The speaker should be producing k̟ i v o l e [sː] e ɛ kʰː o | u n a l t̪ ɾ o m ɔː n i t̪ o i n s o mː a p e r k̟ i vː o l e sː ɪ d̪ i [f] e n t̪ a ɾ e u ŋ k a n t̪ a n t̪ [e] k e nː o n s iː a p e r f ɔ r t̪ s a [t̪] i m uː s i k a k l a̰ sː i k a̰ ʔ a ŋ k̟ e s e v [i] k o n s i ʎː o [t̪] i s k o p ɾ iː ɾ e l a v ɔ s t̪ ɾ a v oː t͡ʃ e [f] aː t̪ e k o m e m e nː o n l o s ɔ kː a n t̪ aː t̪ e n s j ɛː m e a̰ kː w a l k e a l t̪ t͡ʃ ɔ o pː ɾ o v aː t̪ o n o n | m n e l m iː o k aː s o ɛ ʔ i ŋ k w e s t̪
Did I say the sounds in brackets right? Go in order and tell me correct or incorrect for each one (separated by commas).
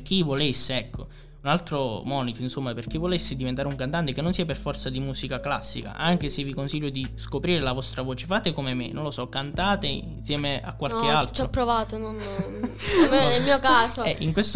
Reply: correct, incorrect, correct, incorrect, correct, incorrect, correct